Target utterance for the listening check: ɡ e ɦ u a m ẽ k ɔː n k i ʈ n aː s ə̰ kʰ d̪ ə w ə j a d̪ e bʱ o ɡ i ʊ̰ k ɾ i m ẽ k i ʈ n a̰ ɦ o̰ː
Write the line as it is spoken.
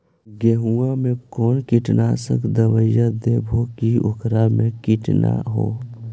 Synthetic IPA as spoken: ɡ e ɦ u a m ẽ k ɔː n k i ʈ n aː s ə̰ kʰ d̪ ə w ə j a d̪ e bʱ o k i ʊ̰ k ɾ a m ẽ k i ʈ n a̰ ɦ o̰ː